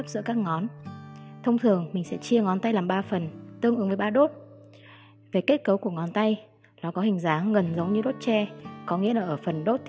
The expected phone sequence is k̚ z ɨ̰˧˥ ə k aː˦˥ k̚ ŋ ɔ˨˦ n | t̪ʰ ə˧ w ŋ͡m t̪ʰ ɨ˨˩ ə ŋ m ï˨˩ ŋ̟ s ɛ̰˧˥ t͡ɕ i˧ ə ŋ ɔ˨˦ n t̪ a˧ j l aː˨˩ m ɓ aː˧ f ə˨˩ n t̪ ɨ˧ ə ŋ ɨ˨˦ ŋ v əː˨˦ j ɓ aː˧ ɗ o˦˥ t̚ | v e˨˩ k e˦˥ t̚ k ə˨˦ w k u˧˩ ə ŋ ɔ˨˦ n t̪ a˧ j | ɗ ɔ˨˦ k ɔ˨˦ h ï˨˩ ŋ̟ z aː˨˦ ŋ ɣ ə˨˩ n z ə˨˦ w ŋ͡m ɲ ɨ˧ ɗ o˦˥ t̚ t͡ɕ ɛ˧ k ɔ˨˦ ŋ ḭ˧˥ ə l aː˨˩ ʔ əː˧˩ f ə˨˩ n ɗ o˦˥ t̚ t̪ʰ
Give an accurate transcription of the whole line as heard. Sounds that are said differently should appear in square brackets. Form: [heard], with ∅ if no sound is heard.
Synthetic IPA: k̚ z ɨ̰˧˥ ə k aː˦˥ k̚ ŋ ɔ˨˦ n | t̪ʰ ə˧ w ŋ͡m t̪ʰ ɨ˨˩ ə ŋ m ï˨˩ ŋ̟ s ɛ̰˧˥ t͡ɕ i˧ ə ŋ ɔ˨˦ n t̪ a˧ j l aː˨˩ m ɓ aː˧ f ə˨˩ n t̪ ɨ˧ ə ŋ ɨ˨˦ ŋ v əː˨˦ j ɓ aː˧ ɗ o˦˥ t̚ | v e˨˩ k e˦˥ t̚ k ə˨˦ w k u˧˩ ə ŋ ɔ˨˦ n t̪ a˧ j | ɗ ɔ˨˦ k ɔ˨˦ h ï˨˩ ŋ̟ z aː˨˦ ŋ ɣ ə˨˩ n z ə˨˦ w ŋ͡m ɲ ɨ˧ ɗ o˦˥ t̚ t͡ɕ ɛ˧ k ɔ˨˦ ŋ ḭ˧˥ ə l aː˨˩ ʔ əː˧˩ f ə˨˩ n ɗ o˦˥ t̚ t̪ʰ